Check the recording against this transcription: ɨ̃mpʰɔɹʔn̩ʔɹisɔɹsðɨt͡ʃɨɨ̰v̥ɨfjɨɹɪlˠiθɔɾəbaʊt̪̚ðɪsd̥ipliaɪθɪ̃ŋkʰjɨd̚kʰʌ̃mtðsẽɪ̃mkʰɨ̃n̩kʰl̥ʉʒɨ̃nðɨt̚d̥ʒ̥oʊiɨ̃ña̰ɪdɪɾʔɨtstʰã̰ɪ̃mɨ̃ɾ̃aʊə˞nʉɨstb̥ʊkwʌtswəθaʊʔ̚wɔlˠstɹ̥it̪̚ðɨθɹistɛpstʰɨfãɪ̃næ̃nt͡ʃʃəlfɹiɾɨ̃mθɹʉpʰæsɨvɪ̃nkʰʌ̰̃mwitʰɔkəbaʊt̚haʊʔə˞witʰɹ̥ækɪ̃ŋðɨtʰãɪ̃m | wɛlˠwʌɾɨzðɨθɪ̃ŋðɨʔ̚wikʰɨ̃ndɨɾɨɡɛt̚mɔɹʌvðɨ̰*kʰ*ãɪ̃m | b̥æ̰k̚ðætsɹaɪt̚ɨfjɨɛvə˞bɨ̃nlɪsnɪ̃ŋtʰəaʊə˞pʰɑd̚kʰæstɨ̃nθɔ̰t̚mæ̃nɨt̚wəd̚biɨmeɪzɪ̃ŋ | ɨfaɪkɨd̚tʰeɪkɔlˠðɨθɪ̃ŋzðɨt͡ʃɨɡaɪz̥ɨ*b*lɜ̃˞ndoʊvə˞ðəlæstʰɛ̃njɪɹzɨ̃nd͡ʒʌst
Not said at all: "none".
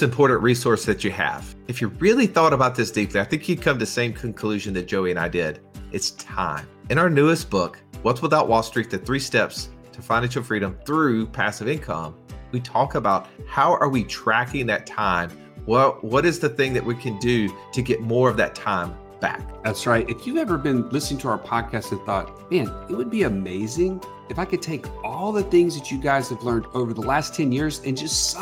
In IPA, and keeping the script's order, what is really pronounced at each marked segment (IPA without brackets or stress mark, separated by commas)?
tʰ, v